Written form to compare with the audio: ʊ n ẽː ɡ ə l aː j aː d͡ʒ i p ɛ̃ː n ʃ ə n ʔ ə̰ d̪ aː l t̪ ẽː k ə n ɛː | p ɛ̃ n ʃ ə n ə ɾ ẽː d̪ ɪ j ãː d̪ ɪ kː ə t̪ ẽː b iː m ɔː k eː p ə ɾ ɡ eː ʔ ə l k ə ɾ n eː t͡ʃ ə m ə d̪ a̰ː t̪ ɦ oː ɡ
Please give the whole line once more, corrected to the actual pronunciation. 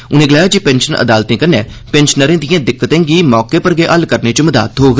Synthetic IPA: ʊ n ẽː ɡ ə l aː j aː d͡ʒ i p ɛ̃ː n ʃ ə n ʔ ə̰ d̪ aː l t̪ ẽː k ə n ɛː | p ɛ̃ n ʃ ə n ə ɾ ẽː d̪ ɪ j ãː d̪ ɪ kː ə t̪ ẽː ɡ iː m ɔː k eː p ə ɾ ɡ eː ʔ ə l k ə ɾ n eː t͡ʃ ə m ə d̪ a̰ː t̪ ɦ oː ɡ